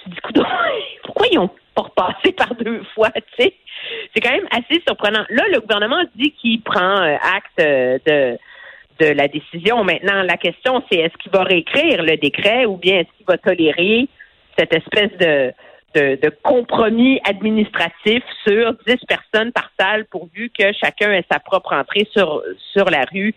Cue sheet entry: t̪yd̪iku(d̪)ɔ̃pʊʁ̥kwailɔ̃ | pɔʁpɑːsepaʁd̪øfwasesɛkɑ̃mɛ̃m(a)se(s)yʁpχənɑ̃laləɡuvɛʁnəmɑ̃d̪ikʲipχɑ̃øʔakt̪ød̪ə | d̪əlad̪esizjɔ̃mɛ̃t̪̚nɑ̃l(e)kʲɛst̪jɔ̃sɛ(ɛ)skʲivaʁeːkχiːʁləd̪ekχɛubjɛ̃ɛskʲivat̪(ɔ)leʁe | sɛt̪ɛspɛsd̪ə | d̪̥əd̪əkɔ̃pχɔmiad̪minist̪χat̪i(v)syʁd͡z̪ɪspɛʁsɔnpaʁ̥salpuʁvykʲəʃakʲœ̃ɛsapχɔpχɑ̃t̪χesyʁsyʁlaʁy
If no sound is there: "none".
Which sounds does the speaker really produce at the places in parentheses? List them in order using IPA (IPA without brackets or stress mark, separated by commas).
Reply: d̪, a, s, a, ɛ, ɔ, f